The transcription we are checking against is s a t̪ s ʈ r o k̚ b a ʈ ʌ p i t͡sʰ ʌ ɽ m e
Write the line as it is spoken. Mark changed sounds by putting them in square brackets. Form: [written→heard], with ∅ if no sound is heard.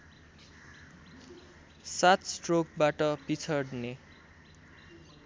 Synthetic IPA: s a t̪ s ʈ r o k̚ b a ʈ ʌ p i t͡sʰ ʌ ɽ [m→n] e